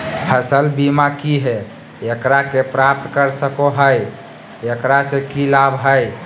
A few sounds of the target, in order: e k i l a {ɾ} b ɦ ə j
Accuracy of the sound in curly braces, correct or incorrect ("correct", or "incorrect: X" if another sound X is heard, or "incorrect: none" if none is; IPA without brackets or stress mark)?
incorrect: none